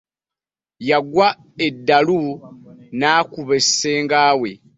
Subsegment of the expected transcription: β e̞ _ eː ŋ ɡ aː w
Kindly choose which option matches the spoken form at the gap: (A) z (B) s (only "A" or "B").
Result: B